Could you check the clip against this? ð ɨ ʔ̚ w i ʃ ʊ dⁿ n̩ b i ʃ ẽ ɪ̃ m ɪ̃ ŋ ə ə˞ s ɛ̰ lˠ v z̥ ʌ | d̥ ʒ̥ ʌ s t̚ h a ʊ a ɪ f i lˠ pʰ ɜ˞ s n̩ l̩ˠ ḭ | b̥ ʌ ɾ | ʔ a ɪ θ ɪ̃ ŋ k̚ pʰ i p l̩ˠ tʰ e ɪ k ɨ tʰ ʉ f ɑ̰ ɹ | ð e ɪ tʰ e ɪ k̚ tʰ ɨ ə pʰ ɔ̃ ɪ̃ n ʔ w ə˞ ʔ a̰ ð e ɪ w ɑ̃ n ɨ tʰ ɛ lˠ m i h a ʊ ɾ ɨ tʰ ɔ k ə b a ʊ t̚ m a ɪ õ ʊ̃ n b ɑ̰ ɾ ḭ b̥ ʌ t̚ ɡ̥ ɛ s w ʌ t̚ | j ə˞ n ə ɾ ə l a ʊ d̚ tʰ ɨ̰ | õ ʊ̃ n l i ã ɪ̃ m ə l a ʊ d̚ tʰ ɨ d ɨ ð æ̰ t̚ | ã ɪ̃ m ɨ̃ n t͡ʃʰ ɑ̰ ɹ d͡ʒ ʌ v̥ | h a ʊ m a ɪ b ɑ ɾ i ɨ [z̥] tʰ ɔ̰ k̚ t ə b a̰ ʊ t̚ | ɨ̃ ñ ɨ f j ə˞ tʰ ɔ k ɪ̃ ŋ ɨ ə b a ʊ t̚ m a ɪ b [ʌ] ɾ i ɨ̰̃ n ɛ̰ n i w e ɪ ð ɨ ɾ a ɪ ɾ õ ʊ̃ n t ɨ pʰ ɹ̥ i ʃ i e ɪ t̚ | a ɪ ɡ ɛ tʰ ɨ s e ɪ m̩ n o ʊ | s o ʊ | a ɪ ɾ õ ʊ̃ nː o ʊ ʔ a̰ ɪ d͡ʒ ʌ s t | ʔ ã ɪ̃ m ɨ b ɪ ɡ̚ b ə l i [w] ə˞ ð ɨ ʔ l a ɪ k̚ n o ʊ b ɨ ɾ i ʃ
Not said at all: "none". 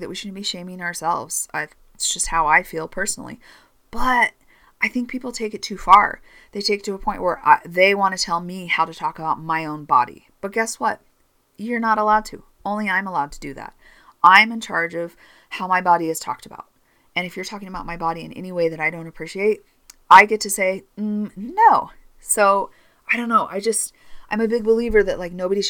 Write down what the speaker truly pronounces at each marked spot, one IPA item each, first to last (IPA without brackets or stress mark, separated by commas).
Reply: z̥, ɑ, v